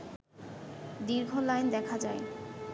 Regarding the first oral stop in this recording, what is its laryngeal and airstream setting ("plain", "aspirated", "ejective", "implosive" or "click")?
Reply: plain